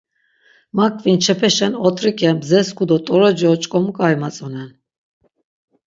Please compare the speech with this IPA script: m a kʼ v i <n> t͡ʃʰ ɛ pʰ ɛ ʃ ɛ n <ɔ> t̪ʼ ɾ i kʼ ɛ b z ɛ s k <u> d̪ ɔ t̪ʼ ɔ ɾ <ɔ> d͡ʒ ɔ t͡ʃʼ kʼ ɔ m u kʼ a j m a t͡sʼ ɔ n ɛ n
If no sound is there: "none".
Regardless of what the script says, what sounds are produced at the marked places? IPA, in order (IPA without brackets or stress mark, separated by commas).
n, ɔ, u, ɔ